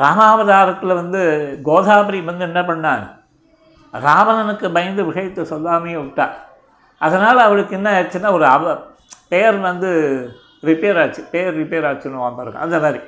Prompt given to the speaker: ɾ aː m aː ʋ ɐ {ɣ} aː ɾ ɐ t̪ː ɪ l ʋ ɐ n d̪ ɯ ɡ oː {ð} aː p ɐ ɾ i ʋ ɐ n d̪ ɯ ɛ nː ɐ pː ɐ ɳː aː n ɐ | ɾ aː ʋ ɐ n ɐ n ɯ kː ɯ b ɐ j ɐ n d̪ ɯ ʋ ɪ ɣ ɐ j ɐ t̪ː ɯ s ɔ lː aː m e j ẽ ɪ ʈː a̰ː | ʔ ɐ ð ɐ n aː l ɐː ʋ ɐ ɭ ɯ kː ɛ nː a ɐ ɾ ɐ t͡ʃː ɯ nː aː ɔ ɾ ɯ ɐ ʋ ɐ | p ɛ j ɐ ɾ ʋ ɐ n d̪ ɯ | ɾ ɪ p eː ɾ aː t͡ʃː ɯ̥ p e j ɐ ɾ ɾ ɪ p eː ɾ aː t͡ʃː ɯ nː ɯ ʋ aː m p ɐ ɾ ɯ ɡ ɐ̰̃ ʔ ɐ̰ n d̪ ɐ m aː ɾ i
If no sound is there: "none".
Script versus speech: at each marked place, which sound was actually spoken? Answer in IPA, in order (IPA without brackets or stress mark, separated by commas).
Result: ð, ð